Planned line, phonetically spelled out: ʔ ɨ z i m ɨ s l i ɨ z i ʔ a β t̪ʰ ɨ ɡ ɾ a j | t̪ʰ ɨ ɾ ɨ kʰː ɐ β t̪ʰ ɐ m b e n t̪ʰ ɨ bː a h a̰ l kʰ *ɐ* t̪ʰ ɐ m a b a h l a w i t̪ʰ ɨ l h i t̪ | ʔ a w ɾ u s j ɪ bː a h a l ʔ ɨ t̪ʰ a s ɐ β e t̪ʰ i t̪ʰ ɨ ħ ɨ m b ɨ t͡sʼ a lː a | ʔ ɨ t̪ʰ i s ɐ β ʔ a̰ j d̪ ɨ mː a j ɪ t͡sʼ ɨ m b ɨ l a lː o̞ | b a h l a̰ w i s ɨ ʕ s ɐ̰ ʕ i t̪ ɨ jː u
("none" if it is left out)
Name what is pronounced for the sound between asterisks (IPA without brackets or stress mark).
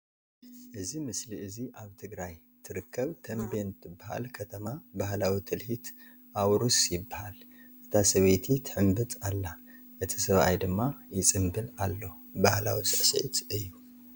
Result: ɐ